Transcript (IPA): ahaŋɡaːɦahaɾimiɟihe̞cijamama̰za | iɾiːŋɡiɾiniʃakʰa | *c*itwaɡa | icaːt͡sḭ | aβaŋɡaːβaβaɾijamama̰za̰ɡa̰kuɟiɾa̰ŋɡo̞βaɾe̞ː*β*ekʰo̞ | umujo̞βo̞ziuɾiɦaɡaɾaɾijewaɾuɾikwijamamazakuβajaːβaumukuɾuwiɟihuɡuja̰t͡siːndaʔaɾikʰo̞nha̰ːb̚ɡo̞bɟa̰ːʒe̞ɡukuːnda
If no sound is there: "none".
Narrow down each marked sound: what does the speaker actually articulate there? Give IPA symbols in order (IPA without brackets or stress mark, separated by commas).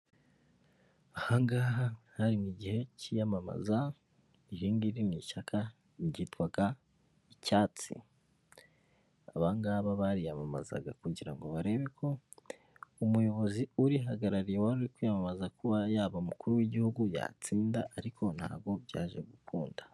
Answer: ɟ, β